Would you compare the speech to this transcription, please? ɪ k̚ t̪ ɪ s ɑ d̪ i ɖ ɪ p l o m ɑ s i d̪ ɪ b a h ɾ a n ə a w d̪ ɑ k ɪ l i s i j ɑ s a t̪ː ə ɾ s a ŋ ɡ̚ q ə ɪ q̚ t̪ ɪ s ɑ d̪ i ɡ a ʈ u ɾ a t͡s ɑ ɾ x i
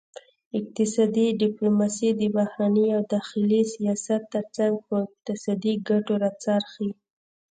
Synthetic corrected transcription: ɪ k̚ t̪ ɪ s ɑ d̪ i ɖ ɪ p l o m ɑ s i d̪ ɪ b a h ɾ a n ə a w d̪ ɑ x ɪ l i s i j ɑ s a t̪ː ə ɾ t͡s a ŋ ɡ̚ p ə ɪ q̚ t̪ ɪ s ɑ d̪ i ɡ a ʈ o ɾ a t͡s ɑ ɾ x i